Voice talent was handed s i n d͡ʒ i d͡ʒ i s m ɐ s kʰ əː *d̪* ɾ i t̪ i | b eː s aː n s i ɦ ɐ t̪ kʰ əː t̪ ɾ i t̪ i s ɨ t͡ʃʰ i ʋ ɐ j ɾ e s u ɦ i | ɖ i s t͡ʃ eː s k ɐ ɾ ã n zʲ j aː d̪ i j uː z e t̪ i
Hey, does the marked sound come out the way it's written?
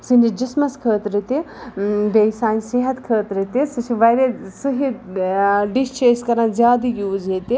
no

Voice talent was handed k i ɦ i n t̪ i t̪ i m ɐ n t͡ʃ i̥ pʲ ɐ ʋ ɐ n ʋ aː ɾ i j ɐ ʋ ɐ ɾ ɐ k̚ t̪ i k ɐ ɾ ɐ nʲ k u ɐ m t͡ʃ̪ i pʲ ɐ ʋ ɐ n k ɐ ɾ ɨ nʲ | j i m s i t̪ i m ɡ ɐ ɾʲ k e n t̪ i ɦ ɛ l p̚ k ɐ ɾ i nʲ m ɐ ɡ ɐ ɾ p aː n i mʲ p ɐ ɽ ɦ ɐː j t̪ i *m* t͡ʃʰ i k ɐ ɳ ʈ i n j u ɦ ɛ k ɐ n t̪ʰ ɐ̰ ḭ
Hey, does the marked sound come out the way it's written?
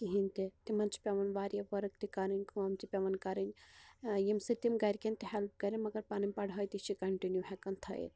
no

